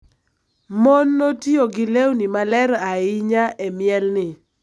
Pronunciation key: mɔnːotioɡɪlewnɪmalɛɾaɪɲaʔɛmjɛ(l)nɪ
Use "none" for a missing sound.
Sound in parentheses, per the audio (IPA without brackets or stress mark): l